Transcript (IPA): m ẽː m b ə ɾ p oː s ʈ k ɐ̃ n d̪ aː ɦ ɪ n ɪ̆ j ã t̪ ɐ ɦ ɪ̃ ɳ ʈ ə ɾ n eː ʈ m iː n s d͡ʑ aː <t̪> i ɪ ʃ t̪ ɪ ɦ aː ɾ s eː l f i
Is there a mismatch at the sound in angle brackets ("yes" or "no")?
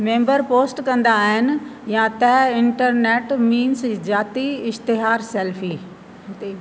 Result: no